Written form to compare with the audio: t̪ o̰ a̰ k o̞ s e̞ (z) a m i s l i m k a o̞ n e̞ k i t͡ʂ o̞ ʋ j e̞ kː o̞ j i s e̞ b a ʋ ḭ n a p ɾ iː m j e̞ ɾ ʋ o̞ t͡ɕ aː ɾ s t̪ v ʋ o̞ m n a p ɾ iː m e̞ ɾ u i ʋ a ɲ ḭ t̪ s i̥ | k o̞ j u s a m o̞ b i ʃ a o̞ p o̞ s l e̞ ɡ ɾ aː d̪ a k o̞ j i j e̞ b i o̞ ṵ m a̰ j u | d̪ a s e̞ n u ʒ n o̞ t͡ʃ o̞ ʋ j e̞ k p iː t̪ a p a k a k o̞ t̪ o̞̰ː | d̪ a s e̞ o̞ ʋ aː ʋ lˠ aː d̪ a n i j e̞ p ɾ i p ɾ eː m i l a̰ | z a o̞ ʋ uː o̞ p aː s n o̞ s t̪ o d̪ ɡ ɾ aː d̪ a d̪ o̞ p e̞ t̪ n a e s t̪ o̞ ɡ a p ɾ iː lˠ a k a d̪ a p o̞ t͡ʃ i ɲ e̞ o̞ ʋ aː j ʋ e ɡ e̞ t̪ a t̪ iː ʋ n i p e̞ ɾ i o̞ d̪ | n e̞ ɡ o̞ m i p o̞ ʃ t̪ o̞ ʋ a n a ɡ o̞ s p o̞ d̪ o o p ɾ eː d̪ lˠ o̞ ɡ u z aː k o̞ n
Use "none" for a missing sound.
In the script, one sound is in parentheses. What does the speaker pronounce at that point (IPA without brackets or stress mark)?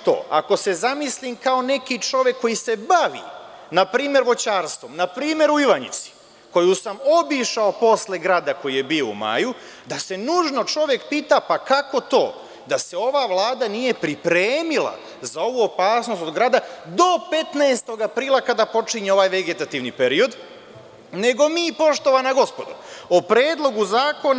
z